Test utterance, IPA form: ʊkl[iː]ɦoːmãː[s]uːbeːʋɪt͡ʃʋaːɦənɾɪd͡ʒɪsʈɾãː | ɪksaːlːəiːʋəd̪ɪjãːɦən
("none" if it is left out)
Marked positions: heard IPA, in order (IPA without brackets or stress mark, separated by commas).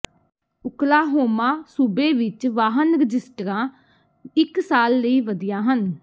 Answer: aː, s